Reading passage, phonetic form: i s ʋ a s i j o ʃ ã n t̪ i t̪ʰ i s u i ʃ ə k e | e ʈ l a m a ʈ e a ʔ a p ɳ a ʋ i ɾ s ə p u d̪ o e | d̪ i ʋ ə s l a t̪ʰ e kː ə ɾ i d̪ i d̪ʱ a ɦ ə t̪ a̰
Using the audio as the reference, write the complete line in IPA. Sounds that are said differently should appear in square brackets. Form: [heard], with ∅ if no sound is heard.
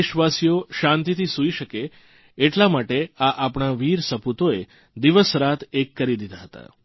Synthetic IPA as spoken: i [ʃ] ʋ a s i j o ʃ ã n t̪ i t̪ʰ i s u i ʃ ə k e | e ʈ l a m a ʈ e a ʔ a p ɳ a ʋ i ɾ s ə p u [t̪] o e | d̪ i ʋ ə s [ɾ] a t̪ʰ e kː ə ɾ i d̪ i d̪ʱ a ɦ ə t̪ a̰